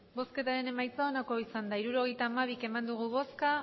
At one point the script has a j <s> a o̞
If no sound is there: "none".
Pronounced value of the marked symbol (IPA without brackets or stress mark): t͡s